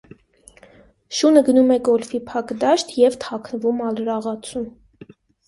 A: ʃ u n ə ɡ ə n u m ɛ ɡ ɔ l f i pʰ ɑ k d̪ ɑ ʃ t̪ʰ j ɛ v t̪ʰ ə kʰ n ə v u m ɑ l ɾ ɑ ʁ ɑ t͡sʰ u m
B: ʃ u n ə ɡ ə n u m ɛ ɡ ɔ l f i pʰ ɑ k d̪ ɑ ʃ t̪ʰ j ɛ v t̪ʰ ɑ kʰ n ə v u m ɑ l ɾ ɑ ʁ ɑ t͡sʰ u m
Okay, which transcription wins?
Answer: B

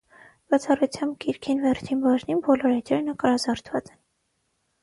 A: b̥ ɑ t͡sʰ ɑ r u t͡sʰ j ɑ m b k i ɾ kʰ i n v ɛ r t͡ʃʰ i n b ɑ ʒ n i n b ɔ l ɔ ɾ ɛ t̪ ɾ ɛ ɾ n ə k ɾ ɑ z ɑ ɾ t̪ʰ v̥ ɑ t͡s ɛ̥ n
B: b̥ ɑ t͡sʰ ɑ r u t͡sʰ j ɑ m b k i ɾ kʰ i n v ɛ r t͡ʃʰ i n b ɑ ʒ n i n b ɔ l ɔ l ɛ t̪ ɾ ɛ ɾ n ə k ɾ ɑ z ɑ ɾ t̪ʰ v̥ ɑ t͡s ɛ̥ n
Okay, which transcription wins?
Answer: A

